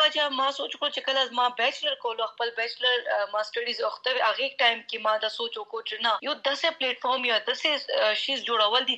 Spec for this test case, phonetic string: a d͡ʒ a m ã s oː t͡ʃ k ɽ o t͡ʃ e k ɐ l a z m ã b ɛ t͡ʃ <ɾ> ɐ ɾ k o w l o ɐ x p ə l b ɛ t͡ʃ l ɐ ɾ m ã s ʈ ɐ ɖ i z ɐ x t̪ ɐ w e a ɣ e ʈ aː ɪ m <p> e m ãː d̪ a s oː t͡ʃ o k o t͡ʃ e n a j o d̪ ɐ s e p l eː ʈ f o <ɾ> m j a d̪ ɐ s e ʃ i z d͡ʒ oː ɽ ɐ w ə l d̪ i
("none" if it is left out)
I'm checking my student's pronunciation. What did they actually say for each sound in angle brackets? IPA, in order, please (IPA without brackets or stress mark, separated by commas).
l, k, ɾ